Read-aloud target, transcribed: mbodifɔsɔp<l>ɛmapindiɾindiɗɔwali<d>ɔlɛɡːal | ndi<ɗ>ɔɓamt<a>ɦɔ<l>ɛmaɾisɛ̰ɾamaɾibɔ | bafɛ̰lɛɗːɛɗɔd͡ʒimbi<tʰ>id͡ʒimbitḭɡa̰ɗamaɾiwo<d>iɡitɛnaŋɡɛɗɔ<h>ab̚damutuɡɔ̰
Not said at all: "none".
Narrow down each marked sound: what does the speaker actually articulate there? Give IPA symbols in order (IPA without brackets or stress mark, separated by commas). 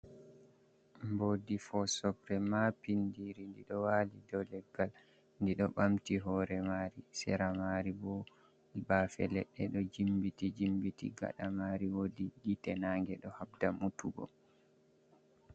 ɾ, d, ɗ, i, ɾ, t, d, h